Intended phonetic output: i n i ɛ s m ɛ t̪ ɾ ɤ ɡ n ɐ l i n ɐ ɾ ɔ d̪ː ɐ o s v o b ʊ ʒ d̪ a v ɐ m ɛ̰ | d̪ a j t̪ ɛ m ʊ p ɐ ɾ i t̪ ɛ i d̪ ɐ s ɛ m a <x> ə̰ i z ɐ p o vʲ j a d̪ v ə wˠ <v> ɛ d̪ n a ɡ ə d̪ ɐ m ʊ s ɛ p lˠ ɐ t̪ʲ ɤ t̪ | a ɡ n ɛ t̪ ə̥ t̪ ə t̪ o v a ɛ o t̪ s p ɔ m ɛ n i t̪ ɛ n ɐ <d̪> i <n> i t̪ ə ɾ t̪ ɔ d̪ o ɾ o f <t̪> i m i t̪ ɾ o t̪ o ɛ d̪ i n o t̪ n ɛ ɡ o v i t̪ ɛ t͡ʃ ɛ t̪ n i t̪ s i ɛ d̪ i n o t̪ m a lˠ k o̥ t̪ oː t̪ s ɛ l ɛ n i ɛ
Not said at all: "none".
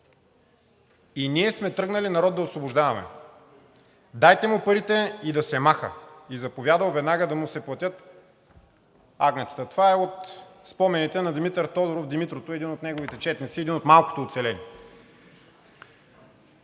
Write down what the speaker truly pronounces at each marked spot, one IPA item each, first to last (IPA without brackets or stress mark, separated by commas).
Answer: x, v, d̪, m, d̪